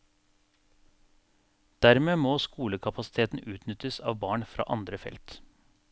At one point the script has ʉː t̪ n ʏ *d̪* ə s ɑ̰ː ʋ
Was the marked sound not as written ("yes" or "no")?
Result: yes